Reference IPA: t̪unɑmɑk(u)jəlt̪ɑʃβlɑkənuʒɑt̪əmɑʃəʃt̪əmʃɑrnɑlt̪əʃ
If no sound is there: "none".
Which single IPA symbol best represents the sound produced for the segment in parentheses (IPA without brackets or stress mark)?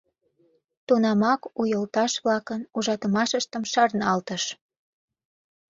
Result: u